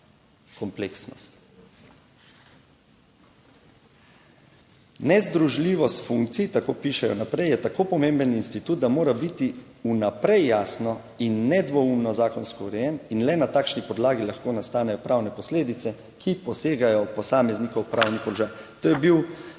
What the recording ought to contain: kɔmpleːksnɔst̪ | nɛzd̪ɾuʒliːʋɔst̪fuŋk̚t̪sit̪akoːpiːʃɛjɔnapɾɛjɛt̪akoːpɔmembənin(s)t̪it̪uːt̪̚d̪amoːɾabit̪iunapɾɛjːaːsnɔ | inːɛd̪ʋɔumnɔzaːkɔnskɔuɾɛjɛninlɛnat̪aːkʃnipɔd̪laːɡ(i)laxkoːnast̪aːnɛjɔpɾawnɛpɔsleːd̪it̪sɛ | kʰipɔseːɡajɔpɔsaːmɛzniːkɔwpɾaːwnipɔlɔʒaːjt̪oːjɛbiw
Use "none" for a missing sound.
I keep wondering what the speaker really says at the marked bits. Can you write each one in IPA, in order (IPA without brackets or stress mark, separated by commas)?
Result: s, i